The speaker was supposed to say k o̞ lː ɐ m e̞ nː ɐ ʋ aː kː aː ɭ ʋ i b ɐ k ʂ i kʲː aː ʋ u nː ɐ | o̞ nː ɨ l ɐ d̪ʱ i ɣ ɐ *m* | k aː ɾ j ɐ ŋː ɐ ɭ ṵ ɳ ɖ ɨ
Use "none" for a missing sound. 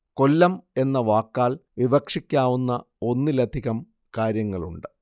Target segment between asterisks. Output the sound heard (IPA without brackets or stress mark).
m